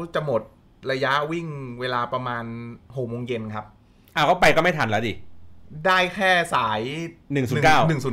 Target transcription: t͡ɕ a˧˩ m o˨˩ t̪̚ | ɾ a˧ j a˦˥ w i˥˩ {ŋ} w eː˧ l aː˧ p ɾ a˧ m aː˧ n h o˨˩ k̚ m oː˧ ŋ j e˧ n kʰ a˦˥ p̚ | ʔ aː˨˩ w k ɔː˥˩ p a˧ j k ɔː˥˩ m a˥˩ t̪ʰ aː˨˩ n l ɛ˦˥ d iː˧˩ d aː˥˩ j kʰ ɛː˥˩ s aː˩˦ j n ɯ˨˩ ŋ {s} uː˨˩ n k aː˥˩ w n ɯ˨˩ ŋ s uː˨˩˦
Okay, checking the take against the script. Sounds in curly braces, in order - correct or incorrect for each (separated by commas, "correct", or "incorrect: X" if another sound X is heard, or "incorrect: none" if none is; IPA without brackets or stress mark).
correct, correct